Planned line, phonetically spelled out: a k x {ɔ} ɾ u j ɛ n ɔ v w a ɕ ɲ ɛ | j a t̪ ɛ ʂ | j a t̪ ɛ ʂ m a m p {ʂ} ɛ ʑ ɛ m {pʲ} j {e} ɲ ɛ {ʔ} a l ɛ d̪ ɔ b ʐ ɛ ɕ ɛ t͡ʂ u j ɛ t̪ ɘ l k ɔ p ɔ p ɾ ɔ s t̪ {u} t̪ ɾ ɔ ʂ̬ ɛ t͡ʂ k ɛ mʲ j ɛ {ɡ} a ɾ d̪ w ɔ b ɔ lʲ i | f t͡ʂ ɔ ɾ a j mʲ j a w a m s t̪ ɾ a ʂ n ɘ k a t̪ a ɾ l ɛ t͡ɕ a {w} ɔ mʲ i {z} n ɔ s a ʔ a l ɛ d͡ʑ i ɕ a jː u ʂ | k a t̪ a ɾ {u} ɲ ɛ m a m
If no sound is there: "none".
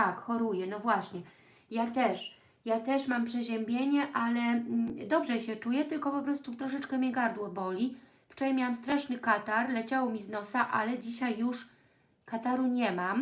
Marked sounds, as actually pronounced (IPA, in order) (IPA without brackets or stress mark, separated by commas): ɔ, ʂ, bʲ, e, ʔ, u, ɡ, w, z, u